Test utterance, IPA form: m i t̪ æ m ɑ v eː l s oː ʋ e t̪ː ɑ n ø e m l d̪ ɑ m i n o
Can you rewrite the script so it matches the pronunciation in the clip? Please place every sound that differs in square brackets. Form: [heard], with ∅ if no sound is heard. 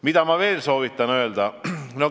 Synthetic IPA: m i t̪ æ m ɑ [ʋ] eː l s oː ʋ [i] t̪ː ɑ n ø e [∅] l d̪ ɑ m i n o